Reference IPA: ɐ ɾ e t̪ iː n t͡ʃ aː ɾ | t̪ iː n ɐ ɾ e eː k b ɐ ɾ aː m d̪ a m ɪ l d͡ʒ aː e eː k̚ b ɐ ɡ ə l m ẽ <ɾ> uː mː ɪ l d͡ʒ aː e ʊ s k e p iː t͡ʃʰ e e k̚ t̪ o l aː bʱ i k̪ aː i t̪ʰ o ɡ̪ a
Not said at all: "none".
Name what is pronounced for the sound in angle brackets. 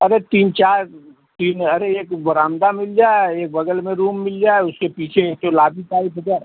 ɾ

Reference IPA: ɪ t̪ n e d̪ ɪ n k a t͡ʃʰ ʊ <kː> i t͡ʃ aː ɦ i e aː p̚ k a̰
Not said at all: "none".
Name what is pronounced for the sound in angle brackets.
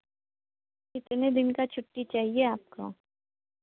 ʈː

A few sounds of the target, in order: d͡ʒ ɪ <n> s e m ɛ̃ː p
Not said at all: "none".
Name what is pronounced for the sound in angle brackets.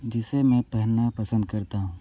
none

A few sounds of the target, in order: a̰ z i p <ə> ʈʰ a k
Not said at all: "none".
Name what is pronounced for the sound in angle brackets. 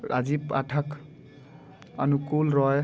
a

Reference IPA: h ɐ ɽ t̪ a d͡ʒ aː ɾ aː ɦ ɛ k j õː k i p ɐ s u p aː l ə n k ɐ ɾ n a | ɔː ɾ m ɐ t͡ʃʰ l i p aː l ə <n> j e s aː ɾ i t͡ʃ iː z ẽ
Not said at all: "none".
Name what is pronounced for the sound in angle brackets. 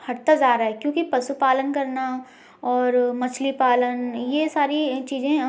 n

